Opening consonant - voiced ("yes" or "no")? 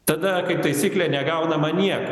no